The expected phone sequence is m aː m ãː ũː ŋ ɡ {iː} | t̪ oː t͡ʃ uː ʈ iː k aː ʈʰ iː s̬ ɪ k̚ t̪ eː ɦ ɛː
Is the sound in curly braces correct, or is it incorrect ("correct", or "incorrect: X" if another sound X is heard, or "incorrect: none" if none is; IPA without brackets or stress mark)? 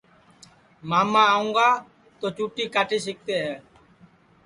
incorrect: aː